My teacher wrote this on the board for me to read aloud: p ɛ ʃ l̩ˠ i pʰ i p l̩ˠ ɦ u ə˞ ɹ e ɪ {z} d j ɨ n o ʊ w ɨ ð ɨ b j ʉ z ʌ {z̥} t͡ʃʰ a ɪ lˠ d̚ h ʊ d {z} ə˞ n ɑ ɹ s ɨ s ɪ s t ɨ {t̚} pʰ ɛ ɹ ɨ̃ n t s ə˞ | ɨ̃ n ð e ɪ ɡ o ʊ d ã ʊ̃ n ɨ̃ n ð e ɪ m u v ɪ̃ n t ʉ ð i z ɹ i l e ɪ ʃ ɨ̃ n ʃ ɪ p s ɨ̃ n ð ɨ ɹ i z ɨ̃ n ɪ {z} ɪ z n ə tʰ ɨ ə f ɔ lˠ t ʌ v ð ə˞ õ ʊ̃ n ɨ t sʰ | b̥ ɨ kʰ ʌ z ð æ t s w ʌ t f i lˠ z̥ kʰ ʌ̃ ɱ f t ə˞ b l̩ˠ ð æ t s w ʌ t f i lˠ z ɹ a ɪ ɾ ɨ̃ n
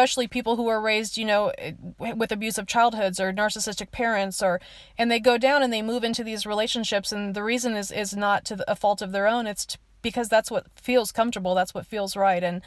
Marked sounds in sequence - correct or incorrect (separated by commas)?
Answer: correct, incorrect, correct, incorrect, correct